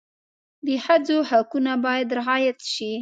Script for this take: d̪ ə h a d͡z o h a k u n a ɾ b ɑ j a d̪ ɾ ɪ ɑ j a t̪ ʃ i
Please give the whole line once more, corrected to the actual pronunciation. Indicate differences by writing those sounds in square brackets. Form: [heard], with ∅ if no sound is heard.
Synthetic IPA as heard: d̪ ə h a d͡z o h a k u n a [∅] b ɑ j a d̪ ɾ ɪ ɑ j a t̪ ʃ i

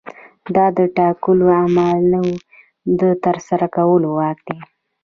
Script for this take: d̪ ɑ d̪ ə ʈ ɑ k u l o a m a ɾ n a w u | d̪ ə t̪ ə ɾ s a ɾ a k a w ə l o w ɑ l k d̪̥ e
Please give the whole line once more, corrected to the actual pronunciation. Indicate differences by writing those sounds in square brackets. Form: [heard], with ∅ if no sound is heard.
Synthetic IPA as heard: d̪ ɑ d̪ ə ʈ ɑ k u l o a m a [l] n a w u | d̪ ə t̪ ə ɾ s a ɾ a k a w ə l o w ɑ [∅] k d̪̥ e

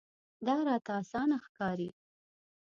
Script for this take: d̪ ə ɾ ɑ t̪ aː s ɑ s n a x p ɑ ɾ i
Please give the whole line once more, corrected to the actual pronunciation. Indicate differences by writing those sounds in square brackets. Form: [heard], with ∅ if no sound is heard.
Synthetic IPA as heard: d̪ [ɑ] ɾ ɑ t̪ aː s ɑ [∅] n a x [k] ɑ ɾ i

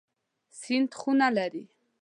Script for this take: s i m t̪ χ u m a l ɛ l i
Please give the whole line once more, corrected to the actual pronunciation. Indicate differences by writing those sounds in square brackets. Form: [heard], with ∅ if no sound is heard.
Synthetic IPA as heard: s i [n] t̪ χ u [n] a l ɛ [ɾ] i

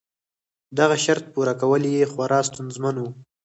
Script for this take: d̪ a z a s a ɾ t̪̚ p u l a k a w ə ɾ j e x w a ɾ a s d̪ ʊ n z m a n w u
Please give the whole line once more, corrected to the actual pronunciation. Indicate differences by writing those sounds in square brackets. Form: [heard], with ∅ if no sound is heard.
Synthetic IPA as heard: d̪ a [ɣ] a [ʃ] a ɾ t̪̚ p u [ɾ] a k a w ə [l] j e x w a ɾ [ɑ] s [t̪] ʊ n z m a n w u

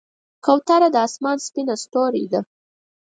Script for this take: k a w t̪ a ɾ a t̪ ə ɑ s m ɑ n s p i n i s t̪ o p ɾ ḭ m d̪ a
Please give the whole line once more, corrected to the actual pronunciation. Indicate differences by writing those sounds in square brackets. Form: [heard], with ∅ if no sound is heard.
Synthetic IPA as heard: k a w t̪ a ɾ a [d̪] ə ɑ s m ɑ n s p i n [a] s t̪ o [∅] ɾ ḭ [∅] d̪ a

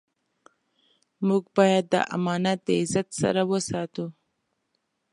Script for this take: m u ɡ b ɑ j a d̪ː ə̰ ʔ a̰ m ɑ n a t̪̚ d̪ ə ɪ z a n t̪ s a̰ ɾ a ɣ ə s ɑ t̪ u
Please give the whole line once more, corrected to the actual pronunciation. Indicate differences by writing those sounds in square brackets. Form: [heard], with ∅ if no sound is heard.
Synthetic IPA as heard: m u ɡ b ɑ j a d̪ː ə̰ ʔ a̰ m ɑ n a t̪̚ d̪ ə ɪ z a [∅] t̪ s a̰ ɾ a [w] ə s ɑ t̪ u

